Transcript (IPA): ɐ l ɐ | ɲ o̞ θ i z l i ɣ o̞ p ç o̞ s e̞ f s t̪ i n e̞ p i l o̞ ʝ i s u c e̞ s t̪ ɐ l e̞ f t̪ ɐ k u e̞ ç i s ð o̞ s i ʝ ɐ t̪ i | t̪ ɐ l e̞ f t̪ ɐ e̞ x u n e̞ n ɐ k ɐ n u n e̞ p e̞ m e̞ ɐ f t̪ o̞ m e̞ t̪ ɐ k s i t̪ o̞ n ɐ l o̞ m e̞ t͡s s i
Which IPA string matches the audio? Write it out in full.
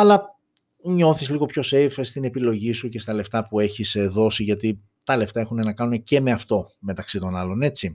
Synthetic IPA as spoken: ɐ l ɐ | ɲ o̞ θ i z l i ɣ o̞ p ç o̞ s e̞ f s t̪ i n e̞ p i l o̞ ʝ i s u c e̞ s t̪ ɐ l e̞ f t̪ ɐ p u e̞ ç i s ð o̞ s i ʝ ɐ t̪ i | t̪ ɐ l e̞ f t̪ ɐ e̞ x u n e̞ n ɐ k ɐ n u n e̞ c e̞ m e̞ ɐ f t̪ o̞ m e̞ t̪ ɐ k s i t̪ o̞ n ɐ l o̞ n e̞ t͡s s i